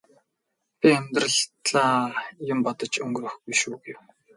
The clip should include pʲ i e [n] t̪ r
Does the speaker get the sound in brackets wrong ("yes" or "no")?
yes